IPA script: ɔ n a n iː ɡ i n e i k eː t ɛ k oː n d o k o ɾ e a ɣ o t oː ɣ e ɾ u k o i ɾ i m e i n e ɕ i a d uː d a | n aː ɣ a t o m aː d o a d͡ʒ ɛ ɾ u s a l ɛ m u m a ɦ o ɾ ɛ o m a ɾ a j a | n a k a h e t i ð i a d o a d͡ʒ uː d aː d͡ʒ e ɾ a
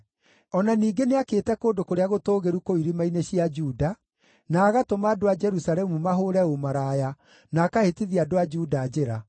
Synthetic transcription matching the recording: ɔ n a n iː ɡ e n e a k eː t ɛ k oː n d o k o ɾ e a ɣ o t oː ɣ e ɾ u k o i ɾ i m a i n e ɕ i a d͡ʒ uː d a | n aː ɣ a t o m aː d o a d͡ʒ ɛ ɾ u s a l ɛ m u m a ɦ o ɾ ɛ o m a ɾ a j a | n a k a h e t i ð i a d o a d͡ʒ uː d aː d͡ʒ e ɾ a